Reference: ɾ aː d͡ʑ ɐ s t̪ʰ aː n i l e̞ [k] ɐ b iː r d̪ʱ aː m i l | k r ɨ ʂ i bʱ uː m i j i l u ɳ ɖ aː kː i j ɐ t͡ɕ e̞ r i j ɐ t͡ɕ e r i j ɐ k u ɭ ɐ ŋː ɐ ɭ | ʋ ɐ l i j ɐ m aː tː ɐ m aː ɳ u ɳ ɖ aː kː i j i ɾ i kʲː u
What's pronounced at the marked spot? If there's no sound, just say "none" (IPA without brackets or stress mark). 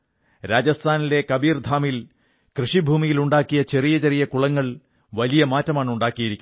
k